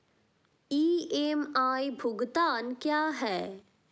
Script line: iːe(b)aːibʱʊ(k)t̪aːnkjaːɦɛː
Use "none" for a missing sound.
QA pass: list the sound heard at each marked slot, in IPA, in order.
m, ɡ

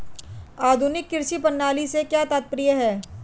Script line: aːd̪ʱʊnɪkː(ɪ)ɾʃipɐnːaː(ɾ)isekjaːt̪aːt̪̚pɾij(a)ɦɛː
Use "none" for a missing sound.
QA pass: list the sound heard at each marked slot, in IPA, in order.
ɪ, l, ə

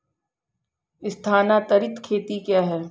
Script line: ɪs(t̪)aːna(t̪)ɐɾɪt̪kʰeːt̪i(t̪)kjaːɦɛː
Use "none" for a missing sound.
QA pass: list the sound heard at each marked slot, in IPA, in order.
t̪ʰ, t̪, none

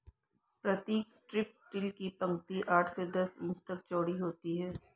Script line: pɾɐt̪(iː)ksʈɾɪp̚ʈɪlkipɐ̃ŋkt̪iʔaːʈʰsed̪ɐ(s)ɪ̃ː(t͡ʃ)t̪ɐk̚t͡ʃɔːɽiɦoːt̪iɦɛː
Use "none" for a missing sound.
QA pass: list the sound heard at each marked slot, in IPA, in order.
iː, s, t͡ʃ

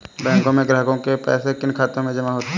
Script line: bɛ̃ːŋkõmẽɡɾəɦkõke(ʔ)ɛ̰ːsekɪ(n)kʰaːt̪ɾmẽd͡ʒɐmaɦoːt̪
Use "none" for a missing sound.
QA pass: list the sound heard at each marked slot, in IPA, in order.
p, n

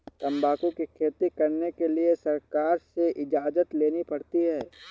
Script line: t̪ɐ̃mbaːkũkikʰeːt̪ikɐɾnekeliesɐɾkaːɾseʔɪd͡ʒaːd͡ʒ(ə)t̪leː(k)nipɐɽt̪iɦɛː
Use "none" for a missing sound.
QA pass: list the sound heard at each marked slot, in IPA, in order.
ə, none

